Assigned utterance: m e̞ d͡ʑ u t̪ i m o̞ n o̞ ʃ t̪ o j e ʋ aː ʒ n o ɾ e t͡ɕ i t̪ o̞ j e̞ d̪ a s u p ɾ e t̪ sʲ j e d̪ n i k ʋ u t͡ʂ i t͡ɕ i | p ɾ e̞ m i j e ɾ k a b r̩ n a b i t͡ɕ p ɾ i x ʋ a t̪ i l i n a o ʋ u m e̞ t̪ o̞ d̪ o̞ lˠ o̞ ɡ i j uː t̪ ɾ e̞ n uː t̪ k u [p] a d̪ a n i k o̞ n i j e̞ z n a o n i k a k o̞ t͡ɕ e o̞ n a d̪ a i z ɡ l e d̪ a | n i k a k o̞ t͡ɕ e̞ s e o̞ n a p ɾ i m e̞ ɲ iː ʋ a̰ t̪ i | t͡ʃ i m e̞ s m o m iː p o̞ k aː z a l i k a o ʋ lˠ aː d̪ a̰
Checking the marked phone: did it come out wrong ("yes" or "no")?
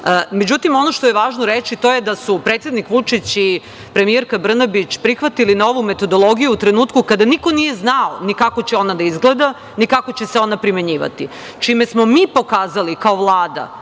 yes